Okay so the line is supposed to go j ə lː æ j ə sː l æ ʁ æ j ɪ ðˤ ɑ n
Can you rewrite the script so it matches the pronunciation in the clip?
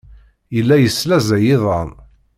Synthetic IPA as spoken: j ə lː æ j ə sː l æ z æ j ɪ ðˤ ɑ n